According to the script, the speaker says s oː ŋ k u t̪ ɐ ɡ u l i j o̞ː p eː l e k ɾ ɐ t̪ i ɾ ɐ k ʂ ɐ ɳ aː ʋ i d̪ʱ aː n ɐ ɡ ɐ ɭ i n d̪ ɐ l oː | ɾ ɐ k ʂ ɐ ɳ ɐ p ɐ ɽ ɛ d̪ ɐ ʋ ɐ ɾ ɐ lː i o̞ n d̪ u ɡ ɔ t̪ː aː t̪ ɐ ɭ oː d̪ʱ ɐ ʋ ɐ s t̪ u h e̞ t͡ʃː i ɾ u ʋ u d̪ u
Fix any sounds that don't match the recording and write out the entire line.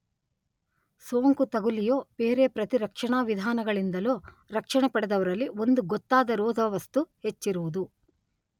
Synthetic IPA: s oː ŋ k u t̪ ɐ ɡ u l i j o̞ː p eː ɾ e p ɾ ɐ t̪ i ɾ ɐ k ʂ ɐ ɳ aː ʋ i d̪ʱ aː n ɐ ɡ ɐ ɭ i n d̪ ɐ l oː | ɾ ɐ k ʂ ɐ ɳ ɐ p ɐ ɽ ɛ d̪ ɐ ʋ ɐ ɾ ɐ lː i o̞ n d̪ u ɡ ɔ t̪ː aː d̪ ɐ ɾ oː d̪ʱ ɐ ʋ ɐ s t̪ u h e̞ t͡ʃː i ɾ u ʋ u d̪ u

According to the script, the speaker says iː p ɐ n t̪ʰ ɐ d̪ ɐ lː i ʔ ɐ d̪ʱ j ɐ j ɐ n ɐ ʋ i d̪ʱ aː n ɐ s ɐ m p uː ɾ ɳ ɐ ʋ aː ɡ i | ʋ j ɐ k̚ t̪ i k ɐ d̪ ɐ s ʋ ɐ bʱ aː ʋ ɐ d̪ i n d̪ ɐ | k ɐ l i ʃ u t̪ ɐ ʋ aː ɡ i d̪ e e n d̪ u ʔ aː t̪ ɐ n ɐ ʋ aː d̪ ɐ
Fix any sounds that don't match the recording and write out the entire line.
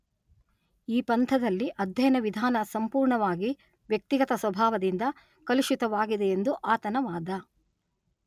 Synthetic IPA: iː p ɐ n t̪ʰ ɐ d̪ ɐ lː i ʔ ɐ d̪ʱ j ɐ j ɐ n ɐ ʋ i d̪ʱ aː n ɐ s ɐ m p uː ɾ ɳ ɐ ʋ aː ɡ i | ʋ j ɐ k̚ t̪ i ɡ ɐ t̪ ɐ s ʋ ɐ bʱ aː ʋ ɐ d̪ i n d̪ ɐ | k ɐ l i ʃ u t̪ ɐ ʋ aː ɡ i d̪ e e n d̪ u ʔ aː t̪ ɐ n ɐ ʋ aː d̪ ɐ

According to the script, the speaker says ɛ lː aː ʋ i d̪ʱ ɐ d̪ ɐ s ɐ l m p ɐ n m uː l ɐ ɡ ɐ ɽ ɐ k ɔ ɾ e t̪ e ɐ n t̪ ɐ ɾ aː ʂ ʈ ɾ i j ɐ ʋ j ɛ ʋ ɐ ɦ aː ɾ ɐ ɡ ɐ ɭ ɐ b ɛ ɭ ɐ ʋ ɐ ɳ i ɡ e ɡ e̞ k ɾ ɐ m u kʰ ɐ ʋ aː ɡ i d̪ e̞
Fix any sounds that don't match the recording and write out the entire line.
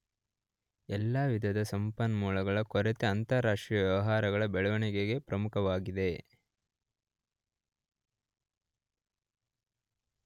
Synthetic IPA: ɛ lː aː ʋ i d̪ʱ ɐ d̪ ɐ s ɐ m p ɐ n m uː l ɐ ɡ ɐ ɭ ɐ k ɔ ɾ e t̪ e ɐ n t̪ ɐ ɾ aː ʂ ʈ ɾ i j ɐ ʋ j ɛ ʋ ɐ ɦ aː ɾ ɐ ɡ ɐ ɭ ɐ b ɛ ɭ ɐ ʋ ɐ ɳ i ɡ e ɡ e̞ p ɾ ɐ m u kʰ ɐ ʋ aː ɡ i d̪ e̞

